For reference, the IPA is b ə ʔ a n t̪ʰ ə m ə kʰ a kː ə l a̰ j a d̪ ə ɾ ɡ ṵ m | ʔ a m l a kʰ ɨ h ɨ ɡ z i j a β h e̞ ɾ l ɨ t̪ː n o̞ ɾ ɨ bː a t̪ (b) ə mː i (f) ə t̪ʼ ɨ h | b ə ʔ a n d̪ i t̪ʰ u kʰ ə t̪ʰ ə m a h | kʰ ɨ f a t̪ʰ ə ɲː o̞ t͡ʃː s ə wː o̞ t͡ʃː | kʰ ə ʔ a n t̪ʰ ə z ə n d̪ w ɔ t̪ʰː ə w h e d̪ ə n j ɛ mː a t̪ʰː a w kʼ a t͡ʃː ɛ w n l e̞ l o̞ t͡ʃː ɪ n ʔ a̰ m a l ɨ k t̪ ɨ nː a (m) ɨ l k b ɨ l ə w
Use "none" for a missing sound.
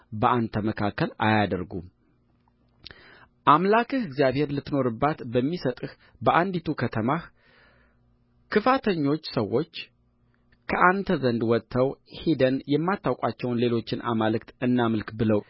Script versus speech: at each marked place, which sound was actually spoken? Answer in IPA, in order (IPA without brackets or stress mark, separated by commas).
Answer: b, s, m